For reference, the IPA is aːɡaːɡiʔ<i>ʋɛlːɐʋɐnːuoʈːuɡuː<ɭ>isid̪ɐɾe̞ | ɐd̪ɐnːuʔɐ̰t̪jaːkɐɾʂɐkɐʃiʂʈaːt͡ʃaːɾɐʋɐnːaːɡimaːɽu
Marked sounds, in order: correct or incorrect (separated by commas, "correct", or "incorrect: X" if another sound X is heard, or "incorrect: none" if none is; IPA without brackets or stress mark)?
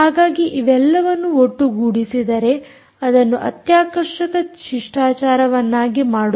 correct, incorrect: ɽ